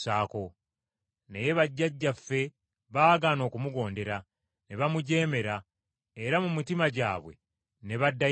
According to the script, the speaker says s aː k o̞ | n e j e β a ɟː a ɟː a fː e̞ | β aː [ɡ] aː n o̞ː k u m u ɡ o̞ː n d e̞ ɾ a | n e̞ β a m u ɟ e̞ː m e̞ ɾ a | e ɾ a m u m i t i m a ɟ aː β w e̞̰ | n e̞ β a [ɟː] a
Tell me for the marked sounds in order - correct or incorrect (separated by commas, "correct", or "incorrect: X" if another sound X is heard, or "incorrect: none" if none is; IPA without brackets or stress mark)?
correct, incorrect: dː